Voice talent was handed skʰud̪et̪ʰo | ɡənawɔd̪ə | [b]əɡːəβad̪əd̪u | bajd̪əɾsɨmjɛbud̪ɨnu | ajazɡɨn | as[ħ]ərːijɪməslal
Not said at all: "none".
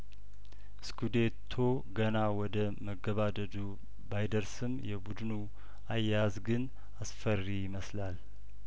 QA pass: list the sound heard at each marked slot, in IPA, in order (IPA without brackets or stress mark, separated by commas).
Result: m, f